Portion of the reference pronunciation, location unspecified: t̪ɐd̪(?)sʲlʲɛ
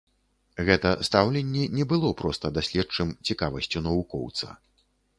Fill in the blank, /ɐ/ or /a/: a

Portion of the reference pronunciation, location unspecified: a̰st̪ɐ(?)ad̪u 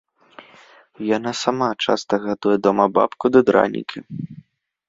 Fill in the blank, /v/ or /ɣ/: ɣ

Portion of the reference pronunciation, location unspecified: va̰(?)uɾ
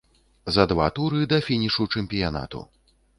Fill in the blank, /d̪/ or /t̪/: t̪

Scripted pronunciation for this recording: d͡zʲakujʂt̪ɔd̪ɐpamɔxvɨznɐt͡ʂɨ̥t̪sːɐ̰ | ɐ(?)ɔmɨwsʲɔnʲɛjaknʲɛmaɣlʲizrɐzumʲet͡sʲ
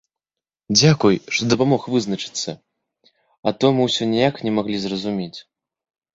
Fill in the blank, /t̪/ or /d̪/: t̪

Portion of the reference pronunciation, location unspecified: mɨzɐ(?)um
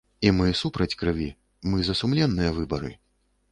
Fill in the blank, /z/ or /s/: s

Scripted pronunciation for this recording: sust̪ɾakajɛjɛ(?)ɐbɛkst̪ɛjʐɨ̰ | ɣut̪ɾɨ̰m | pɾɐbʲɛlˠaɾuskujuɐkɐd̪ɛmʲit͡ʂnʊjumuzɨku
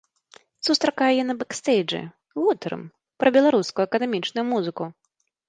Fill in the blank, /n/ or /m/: n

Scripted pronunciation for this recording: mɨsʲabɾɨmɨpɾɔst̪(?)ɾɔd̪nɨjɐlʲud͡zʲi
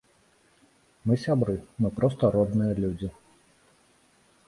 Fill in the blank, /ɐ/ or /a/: ɐ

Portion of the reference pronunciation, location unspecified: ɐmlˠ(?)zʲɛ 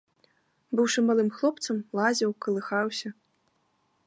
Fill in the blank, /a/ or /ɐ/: a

